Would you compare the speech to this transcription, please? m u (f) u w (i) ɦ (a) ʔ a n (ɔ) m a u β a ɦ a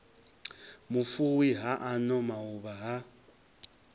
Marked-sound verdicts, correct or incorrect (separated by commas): correct, correct, correct, correct